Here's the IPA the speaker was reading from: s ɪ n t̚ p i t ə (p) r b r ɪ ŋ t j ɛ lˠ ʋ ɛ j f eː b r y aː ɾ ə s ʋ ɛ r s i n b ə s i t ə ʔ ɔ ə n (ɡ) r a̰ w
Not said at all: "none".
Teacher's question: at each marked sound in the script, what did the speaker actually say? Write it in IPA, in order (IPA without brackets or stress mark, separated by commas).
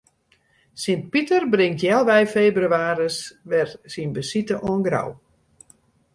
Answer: none, ɡ